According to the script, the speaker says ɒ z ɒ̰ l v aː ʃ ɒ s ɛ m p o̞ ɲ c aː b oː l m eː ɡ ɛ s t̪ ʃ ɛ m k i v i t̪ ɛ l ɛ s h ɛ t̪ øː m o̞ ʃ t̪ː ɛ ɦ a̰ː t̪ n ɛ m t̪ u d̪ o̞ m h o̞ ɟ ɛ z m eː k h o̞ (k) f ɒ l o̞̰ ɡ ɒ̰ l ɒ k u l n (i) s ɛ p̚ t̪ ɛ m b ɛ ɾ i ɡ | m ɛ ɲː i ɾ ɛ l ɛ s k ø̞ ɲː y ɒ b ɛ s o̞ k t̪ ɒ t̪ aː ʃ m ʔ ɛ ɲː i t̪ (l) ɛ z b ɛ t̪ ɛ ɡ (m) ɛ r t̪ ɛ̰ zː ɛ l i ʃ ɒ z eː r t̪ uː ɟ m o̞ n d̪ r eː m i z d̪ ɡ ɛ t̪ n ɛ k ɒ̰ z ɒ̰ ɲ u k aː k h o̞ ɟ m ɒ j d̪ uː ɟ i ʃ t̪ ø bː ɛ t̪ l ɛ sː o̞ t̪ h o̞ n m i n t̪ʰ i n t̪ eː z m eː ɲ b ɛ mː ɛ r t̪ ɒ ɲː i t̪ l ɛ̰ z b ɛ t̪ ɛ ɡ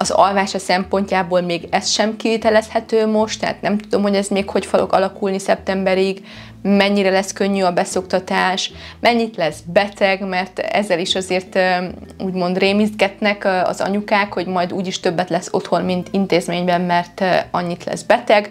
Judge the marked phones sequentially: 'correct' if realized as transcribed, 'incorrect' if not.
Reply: incorrect: c, correct, correct, correct

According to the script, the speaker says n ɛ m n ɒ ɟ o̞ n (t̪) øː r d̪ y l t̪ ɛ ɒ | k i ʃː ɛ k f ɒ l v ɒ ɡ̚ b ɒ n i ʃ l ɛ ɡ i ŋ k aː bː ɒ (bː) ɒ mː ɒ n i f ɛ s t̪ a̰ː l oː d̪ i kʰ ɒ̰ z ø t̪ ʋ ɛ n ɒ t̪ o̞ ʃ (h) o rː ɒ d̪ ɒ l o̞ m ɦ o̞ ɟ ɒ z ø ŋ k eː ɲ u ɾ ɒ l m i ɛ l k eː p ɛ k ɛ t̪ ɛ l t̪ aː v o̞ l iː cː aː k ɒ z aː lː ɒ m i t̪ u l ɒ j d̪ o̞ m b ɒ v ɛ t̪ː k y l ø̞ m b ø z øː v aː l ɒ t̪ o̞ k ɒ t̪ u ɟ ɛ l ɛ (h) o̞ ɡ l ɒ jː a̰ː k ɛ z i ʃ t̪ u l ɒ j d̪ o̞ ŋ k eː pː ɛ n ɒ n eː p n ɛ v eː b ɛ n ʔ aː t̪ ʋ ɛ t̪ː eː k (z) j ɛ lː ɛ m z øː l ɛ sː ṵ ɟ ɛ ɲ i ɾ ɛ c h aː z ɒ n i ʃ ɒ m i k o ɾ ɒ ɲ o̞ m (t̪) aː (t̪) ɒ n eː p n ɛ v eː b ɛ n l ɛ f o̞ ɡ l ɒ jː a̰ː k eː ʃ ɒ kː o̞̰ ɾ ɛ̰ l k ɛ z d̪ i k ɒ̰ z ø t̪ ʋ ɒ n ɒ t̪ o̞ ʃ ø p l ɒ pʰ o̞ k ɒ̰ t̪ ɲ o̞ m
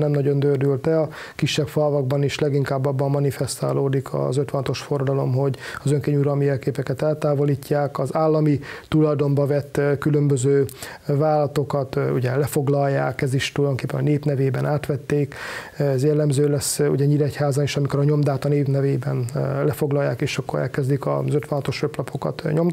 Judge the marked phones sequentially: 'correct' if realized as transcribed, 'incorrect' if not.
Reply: incorrect: d̪, correct, incorrect: f, incorrect: f, correct, incorrect: d̪, correct

